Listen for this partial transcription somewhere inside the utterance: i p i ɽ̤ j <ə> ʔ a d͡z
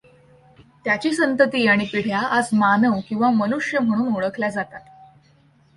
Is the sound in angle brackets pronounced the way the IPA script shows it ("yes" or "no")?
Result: no